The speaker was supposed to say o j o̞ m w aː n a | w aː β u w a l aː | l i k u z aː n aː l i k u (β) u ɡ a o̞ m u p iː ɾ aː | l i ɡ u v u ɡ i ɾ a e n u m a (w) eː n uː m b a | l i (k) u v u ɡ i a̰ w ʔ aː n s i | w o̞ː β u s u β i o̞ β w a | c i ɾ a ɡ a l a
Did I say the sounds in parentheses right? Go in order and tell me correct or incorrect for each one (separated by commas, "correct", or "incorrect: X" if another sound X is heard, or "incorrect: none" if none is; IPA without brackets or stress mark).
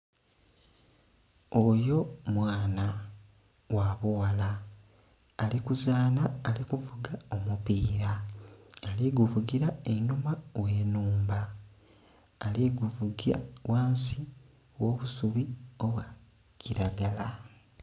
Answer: incorrect: v, correct, incorrect: ɡ